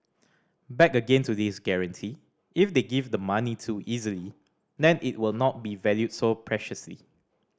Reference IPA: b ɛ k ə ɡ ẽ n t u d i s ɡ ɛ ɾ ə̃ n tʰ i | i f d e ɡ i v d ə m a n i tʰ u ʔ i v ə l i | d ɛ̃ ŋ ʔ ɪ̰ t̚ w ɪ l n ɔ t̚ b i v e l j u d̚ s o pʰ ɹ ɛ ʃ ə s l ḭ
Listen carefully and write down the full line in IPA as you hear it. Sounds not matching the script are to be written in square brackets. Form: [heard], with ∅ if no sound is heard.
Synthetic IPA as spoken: b ɛ k ə ɡ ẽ n t u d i s ɡ ɛ [ɹ] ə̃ n tʰ i | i f d e ɡ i v d ə m a n i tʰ u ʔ i [z] ə l i | d ɛ̃ [n] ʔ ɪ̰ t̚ w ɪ l n ɔ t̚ b i v [ɛ] l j u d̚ s o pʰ ɹ ɛ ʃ ə s l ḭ